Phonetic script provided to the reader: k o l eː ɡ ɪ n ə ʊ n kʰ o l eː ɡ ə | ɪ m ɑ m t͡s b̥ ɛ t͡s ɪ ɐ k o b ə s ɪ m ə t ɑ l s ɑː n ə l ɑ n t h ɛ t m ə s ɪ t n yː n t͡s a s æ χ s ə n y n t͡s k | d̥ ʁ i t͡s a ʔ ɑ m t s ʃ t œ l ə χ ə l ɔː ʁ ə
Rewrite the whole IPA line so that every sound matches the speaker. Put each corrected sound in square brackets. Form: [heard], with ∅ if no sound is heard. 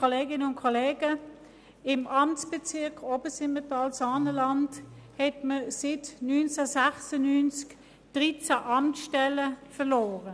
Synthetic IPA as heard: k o l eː ɡ ɪ n ə ʊ n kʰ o l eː ɡ ə | ɪ m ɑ m t͡s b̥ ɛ t͡s ɪ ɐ k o b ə s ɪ m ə t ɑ l s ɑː n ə l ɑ n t h ɛ t m ə s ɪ t n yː n t͡s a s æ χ s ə n y n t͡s k | d̥ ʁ i t͡s a ʔ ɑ m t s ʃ t [ɛ] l ə [f] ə l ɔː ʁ ə